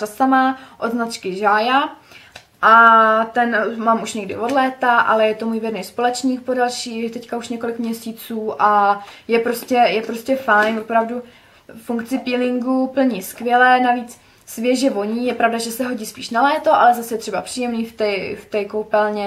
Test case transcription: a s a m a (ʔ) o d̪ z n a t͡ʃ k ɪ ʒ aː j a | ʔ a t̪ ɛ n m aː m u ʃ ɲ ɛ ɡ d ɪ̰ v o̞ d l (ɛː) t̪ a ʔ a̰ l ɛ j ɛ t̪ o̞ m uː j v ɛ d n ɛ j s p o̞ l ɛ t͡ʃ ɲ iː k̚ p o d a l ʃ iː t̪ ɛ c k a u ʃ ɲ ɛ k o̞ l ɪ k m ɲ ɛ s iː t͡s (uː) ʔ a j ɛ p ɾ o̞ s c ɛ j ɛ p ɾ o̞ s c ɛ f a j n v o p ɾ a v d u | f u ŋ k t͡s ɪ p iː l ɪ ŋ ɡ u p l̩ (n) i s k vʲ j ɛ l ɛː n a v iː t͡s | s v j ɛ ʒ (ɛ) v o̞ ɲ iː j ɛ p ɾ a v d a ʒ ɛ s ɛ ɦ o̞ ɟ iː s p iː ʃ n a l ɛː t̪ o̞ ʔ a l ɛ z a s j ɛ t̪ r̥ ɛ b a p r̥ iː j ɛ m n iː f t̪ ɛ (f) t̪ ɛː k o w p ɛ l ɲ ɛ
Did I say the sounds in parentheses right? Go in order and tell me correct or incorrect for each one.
correct, correct, correct, incorrect: ɲ, correct, correct

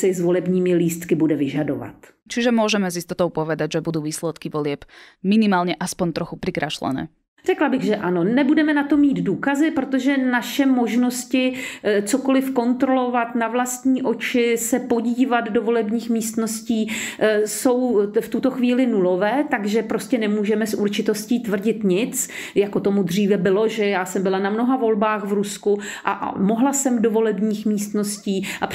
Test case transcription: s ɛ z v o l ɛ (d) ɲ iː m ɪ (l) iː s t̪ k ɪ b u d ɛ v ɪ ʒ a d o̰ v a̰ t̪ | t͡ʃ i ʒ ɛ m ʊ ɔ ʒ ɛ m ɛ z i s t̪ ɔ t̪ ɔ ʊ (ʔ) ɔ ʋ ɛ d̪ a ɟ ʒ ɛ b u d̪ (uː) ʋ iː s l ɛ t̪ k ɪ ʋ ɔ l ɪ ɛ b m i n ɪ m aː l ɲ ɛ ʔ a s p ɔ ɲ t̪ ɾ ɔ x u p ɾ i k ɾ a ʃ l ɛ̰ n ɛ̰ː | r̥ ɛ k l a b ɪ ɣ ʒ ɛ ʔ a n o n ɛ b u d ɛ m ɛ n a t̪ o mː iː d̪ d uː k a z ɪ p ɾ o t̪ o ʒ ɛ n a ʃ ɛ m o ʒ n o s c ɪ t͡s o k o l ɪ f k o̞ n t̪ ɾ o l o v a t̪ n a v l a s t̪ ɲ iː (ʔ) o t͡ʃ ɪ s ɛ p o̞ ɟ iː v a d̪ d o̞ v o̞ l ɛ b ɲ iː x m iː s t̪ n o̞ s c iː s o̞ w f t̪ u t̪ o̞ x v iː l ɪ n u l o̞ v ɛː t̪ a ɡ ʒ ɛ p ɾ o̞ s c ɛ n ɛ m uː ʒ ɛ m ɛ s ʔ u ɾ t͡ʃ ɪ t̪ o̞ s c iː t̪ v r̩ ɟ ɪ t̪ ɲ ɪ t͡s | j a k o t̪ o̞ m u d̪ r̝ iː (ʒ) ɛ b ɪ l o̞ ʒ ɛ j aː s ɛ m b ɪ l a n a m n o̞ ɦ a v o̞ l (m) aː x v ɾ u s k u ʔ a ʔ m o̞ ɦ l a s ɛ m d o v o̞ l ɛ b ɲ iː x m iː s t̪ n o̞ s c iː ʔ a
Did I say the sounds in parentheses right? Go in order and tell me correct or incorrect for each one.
incorrect: b, correct, incorrect: p, correct, correct, incorrect: v, incorrect: b

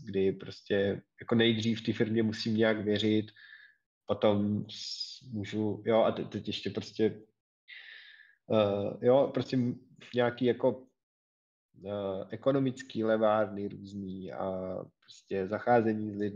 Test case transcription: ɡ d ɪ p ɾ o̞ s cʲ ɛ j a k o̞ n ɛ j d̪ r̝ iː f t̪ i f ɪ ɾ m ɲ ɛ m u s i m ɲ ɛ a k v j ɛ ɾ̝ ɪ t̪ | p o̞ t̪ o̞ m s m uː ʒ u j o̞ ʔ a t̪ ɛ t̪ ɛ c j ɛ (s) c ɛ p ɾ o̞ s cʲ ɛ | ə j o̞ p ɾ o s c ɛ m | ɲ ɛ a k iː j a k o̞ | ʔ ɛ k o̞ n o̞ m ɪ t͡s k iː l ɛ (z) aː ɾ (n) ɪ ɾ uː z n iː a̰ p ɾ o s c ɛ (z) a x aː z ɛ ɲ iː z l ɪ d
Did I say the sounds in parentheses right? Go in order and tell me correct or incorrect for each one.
incorrect: ʃ, incorrect: v, correct, correct

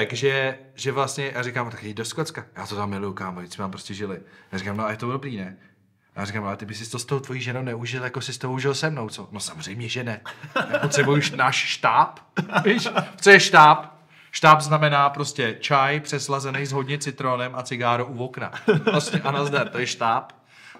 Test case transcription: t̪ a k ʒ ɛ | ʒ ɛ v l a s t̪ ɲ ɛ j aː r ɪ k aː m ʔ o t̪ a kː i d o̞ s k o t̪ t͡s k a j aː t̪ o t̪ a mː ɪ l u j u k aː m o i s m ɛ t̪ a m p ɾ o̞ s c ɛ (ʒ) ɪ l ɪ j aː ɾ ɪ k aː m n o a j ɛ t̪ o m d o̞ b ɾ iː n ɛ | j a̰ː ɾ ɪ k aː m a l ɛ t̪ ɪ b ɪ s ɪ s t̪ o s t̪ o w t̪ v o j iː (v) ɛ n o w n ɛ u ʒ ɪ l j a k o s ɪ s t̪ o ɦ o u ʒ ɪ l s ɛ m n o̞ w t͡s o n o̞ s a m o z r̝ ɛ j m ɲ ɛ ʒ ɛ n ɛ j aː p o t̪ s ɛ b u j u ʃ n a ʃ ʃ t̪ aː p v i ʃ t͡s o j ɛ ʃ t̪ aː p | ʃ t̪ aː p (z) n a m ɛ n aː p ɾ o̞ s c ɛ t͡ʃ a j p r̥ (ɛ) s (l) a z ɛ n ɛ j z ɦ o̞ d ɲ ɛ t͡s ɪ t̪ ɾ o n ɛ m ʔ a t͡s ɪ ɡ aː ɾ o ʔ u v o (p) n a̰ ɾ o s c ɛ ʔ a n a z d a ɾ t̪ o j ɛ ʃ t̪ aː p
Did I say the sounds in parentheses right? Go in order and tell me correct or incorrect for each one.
correct, incorrect: ʒ, correct, correct, correct, incorrect: k

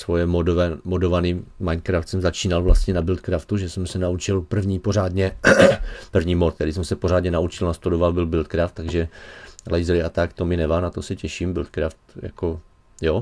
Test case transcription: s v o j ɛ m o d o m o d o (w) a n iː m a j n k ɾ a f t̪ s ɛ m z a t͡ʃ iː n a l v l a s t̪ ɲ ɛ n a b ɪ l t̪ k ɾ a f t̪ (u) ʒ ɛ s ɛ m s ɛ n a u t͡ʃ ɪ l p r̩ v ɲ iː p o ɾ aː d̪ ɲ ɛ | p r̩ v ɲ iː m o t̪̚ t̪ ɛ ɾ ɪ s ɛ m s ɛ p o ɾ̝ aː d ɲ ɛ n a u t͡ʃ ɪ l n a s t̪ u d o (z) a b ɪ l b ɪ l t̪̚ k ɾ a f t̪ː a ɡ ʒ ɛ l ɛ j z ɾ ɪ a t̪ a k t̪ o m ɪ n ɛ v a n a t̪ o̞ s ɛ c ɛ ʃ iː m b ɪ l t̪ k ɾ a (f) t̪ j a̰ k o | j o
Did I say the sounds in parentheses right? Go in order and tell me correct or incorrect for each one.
incorrect: v, correct, incorrect: v, correct

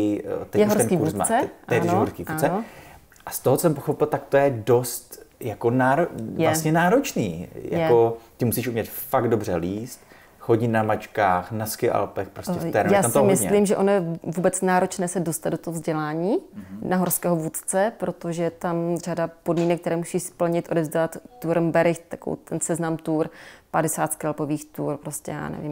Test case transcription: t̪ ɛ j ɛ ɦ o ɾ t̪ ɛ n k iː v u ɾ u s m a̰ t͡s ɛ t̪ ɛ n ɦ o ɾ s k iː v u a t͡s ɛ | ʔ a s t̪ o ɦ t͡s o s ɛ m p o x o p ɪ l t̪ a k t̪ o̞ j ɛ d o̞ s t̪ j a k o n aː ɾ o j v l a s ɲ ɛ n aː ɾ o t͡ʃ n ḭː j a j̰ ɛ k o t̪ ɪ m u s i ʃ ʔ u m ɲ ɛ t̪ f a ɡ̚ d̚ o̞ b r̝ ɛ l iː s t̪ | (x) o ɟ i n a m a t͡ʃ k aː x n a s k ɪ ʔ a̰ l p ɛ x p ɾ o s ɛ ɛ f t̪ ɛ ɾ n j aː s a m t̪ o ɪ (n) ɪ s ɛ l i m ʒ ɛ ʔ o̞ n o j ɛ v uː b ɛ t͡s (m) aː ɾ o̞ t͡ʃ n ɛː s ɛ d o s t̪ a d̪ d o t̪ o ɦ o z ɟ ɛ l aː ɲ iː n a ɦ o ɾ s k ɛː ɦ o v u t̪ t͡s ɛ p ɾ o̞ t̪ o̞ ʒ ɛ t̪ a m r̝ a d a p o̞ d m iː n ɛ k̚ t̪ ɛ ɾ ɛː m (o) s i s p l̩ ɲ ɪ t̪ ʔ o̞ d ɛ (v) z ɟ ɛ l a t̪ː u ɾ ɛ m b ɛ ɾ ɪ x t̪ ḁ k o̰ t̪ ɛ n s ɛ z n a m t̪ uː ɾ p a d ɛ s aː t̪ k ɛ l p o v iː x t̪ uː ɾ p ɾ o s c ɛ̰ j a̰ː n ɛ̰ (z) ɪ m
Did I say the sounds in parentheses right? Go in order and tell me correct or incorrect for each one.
correct, incorrect: m, incorrect: n, incorrect: u, correct, incorrect: v

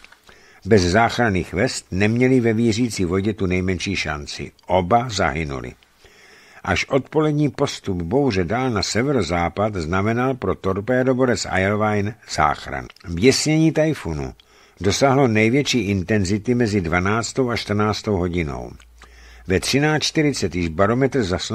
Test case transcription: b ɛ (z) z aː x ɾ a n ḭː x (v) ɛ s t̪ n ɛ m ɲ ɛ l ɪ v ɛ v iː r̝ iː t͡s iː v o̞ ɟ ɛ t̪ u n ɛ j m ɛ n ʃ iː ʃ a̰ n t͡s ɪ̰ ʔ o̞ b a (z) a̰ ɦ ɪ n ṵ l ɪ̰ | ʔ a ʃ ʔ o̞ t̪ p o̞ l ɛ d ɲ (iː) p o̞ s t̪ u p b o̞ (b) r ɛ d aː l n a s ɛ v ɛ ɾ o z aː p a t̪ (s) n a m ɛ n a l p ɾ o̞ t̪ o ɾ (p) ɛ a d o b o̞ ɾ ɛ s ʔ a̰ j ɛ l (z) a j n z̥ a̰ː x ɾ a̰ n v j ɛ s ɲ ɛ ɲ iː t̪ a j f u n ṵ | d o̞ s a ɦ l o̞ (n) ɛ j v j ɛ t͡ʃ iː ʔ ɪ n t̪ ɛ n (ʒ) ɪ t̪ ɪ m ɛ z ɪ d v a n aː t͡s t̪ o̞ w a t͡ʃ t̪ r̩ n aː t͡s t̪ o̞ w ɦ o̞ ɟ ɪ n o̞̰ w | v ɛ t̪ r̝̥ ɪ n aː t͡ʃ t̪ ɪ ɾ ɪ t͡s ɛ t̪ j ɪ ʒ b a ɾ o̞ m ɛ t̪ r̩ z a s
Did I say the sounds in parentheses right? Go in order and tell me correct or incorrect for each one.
correct, correct, correct, correct, incorrect: w, incorrect: z, correct, incorrect: v, correct, incorrect: z

